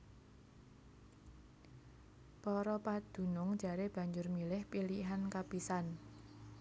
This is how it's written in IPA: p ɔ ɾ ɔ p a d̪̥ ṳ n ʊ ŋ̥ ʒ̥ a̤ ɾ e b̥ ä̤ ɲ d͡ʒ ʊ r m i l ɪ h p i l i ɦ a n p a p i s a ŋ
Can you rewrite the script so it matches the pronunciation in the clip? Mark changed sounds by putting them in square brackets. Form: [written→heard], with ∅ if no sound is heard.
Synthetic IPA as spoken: p ɔ ɾ ɔ p a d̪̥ ṳ n ʊ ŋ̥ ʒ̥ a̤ ɾ e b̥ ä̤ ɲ d͡ʒ ʊ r m i l ɪ h p i l i ɦ a n [p→k] a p i s a [ŋ→n]